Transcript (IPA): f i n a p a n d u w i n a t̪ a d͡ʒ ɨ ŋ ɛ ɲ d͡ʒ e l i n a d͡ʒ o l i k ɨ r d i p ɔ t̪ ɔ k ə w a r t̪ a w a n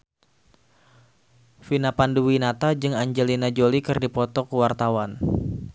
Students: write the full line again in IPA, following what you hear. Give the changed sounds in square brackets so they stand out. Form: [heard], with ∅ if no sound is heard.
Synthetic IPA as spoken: f i n a p a n d u w i n a t̪ a d͡ʒ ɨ ŋ [a] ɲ d͡ʒ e l i n a d͡ʒ o l i k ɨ r d i p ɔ t̪ ɔ k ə w a r t̪ a w a n